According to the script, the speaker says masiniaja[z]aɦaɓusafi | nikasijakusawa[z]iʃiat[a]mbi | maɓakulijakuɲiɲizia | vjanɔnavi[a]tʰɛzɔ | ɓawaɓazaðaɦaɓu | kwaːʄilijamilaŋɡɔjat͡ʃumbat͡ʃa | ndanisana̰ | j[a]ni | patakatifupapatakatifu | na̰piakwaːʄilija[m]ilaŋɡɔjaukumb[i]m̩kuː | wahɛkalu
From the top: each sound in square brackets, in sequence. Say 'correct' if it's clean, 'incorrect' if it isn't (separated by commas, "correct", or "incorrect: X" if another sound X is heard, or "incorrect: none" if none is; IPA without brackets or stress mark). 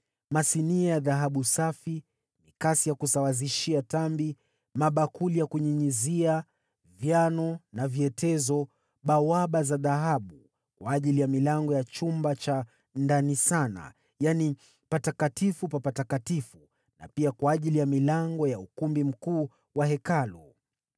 incorrect: ð, correct, correct, incorrect: ɛ, correct, correct, correct